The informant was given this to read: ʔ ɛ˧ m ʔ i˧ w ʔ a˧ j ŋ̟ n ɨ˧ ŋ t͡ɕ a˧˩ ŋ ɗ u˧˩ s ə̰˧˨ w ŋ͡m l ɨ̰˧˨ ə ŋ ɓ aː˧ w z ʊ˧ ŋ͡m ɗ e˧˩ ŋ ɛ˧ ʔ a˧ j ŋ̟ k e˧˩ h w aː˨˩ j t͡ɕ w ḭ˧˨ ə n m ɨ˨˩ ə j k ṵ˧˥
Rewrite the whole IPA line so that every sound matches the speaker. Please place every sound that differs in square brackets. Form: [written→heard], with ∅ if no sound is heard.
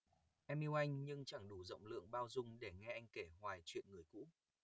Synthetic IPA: ʔ ɛ˧ m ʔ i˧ w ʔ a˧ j ŋ̟ [n→ɲ] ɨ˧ ŋ t͡ɕ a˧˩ ŋ ɗ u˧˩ [s→z] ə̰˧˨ w ŋ͡m l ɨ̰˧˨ ə ŋ ɓ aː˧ w z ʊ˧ ŋ͡m ɗ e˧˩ ŋ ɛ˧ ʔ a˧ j ŋ̟ k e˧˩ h w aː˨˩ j t͡ɕ w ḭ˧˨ ə n [m→ŋ] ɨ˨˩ ə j k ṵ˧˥